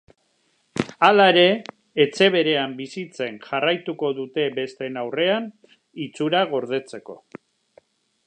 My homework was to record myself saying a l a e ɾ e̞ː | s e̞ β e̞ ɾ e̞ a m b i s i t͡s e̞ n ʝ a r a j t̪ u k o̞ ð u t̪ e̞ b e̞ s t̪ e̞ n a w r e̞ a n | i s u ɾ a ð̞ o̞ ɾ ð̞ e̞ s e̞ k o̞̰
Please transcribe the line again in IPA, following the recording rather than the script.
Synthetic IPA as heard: a l a e ɾ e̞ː | t͡s e̞ β e̞ ɾ e̞ a m b i s i t͡s e̞ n ʝ a r a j t̪ u k o̞ ð u t̪ e̞ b e̞ s t̪ e̞ n a w r e̞ a n | i t͡s u ɾ a ɣ̞ o̞ ɾ ð̞ e̞ t͡s e̞ k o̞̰